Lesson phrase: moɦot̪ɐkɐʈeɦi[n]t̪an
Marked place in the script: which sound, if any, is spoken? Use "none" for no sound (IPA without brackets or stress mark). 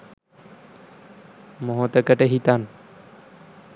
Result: none